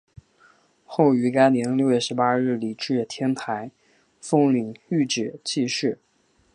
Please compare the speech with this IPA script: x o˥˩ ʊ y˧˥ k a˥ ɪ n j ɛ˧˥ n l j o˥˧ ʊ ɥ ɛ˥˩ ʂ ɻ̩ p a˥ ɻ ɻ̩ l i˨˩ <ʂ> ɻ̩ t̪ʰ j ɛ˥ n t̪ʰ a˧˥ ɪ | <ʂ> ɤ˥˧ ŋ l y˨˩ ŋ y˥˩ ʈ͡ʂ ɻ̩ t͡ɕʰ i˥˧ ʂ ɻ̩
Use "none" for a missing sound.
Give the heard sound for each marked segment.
ʈ͡ʂ, f

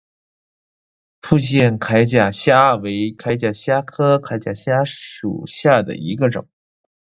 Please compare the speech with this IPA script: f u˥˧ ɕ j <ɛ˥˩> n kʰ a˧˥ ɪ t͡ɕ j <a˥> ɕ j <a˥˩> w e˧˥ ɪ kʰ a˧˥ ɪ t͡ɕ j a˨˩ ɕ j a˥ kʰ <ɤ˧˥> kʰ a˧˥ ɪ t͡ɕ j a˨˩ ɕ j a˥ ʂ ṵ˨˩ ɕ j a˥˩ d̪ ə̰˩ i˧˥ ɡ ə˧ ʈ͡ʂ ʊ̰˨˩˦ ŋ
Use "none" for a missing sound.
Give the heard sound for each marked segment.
ɛ˥˩, a˨˩, a˥, ɤ˥

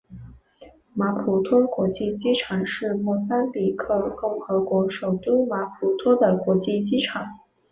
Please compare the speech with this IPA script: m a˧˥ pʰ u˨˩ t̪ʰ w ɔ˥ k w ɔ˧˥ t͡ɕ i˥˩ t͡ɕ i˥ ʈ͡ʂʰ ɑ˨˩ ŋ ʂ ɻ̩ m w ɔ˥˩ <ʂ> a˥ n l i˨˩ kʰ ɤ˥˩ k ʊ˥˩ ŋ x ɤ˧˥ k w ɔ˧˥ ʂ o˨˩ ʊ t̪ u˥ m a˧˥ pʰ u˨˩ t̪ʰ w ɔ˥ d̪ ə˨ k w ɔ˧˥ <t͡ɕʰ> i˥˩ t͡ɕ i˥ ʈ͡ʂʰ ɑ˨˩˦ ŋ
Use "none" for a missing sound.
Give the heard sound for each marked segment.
s, t͡ɕ

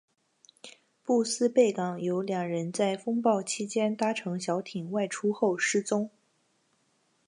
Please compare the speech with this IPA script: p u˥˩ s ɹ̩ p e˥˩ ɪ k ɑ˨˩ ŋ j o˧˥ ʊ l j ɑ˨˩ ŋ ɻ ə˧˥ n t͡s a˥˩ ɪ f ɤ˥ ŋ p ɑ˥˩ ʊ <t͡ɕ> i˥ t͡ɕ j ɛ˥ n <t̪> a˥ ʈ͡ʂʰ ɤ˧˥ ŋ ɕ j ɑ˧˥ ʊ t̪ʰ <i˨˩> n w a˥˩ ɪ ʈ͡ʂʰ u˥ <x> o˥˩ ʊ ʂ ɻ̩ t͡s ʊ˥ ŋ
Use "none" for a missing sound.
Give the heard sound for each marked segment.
t͡ɕʰ, t̪, i˨˩, x

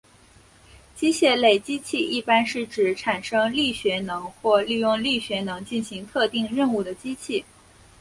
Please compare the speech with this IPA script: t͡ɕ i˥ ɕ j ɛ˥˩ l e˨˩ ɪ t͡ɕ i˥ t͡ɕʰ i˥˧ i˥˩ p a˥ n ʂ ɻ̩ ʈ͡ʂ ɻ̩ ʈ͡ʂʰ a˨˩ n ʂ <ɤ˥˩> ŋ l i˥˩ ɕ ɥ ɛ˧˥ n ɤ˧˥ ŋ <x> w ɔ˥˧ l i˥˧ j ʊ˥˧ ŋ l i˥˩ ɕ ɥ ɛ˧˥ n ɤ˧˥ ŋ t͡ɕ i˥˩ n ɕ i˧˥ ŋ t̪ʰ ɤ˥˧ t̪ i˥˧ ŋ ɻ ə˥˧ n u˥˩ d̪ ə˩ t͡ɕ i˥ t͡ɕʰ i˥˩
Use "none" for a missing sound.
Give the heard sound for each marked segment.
ɤ˥, x

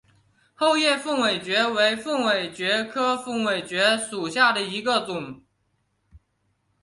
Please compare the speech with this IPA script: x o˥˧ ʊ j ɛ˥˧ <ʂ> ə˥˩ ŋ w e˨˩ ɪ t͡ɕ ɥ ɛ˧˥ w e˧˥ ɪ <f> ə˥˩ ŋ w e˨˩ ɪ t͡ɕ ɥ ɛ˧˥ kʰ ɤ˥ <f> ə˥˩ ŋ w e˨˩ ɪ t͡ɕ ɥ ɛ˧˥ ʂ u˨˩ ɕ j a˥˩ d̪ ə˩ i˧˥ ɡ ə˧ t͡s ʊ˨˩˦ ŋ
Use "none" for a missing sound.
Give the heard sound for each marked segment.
f, f, f

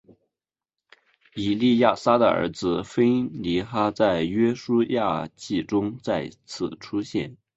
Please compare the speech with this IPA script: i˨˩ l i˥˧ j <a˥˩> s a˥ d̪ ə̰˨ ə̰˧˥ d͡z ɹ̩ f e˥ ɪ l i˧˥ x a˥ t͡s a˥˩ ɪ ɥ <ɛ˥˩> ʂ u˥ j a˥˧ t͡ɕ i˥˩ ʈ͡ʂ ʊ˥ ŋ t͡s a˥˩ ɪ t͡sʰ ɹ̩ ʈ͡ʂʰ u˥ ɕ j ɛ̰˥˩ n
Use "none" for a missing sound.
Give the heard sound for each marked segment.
a˥˩, ɛ˥

